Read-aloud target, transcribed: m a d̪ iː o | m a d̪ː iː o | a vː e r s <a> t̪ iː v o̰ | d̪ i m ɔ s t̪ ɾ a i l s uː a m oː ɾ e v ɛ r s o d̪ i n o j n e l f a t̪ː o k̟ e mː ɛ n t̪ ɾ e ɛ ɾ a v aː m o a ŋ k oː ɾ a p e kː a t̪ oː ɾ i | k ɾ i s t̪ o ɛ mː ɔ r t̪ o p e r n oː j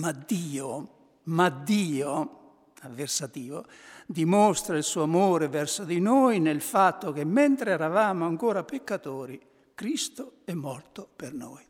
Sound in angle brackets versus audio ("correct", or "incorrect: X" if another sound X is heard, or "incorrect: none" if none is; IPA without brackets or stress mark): correct